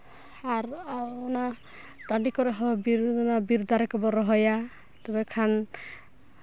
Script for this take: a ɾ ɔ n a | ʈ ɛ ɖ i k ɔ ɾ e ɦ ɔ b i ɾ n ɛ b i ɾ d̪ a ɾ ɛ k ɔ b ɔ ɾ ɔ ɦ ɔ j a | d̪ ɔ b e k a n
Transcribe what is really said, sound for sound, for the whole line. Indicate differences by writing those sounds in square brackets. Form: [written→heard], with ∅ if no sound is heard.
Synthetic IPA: a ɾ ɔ n a | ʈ [ɛ→a] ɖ i k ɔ ɾ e ɦ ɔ b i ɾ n [ɛ→a] b i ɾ d̪ a ɾ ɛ k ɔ b ɔ ɾ ɔ ɦ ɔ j a | [d̪→t̪] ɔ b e [k→kʰ] a n